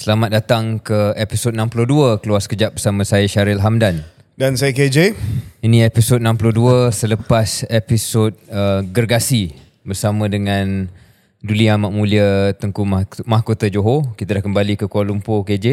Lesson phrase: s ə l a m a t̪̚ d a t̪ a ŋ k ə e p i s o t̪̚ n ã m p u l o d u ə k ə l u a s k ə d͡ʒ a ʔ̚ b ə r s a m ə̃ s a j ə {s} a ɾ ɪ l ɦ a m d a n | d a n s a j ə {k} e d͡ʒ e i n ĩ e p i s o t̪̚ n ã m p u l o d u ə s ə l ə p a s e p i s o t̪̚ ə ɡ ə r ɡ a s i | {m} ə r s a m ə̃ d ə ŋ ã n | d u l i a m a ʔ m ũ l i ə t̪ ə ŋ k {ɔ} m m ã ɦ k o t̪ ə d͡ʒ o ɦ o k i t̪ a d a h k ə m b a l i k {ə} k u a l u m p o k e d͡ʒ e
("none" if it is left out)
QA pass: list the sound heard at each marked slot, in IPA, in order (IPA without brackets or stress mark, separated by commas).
ʃ, k, b, u, ə